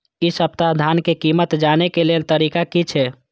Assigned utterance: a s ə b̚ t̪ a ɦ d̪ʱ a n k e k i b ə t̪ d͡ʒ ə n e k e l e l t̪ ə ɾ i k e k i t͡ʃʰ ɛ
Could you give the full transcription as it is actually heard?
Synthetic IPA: i s ə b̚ t̪ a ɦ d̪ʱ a n k e k i m ə t̪ d͡ʒ a n e k e l e l t̪ ə ɾ i k a k i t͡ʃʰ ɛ